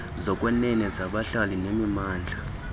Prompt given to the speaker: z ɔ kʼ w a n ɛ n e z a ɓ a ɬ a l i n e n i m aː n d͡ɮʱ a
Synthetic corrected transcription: z ɔ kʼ w ɛ n ɛ n ɛ z a ɓ a ɬ a l i n e m i m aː n d͡ɮʱ a